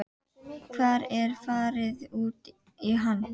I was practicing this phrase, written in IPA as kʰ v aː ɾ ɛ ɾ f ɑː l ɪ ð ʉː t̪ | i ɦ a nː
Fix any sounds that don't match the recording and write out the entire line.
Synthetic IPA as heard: kʰ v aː ɾ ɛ ɾ f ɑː ɾ ɪ ð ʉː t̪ | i ɦ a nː